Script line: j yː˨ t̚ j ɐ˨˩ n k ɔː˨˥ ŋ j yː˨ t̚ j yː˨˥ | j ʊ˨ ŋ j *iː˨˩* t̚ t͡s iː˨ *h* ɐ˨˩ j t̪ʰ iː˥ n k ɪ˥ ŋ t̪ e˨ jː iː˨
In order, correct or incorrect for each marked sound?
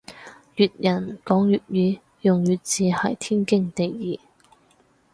incorrect, correct

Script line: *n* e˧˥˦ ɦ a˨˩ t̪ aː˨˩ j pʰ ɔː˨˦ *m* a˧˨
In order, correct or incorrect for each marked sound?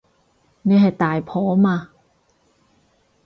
correct, correct

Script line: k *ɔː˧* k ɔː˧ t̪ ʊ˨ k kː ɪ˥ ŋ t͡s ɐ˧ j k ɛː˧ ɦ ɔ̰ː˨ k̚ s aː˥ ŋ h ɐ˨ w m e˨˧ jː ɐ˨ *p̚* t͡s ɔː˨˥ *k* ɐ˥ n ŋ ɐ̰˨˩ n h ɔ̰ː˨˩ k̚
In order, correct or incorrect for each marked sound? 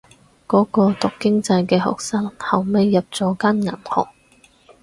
incorrect, correct, correct

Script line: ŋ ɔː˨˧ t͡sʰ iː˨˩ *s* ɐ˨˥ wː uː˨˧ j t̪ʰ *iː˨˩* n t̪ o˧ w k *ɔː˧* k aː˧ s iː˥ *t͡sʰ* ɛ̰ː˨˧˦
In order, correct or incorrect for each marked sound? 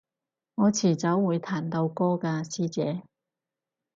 incorrect, incorrect, incorrect, incorrect

